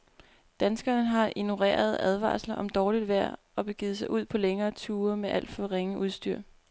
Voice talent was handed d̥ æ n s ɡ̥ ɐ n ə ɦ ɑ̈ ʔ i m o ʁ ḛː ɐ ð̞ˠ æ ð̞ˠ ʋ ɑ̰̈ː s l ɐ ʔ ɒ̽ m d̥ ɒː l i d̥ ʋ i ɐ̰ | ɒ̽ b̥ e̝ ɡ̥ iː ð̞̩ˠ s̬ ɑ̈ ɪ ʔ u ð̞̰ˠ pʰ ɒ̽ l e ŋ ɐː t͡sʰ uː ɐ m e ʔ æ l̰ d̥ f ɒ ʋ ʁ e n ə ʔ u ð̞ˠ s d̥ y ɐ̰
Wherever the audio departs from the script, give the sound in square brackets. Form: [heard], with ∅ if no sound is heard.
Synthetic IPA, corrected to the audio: d̥ æ n s ɡ̥ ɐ n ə ɦ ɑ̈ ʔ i [n] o ʁ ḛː ɐ ð̞ˠ æ ð̞ˠ ʋ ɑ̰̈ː s l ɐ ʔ ɒ̽ m d̥ ɒː l i d̥ ʋ [æ] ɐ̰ | ɒ̽ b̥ e̝ ɡ̥ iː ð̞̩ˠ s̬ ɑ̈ ɪ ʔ u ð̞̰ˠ pʰ ɒ̽ l e ŋ ɐː t͡sʰ uː ɐ m e ʔ æ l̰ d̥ f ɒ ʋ ʁ e [ŋ] ə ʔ u ð̞ˠ s d̥ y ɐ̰